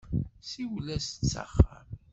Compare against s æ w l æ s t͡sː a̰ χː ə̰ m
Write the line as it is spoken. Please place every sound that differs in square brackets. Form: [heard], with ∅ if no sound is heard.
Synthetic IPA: s [i] w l æ s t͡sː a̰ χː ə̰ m